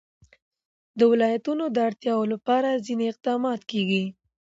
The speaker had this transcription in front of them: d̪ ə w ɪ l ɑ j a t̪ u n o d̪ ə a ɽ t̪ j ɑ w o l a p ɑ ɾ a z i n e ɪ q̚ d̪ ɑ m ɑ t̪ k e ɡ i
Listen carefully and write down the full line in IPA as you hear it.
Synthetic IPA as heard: d̪ ə w ɪ l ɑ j a t̪ u n o d̪ ə a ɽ t̪ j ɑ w o l a p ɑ ɾ a z i n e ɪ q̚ d̪ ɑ m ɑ t̪ k e ɡ i